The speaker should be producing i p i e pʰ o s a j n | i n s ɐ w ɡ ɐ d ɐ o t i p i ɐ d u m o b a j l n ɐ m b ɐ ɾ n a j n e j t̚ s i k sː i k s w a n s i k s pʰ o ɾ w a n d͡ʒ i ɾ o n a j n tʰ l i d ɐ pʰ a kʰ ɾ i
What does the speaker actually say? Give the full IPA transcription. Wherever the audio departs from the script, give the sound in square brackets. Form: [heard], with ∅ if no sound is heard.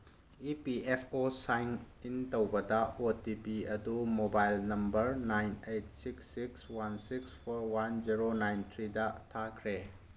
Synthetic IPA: i p i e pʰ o s a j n | i n [t] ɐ w [b] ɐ d ɐ o t i p i ɐ d u m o b a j l n ɐ m b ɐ ɾ n a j n e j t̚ s i k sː i k s w a n s i k s pʰ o ɾ w a n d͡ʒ i ɾ o n a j n tʰ [ɾ] i d ɐ [tʰ] a kʰ ɾ [e]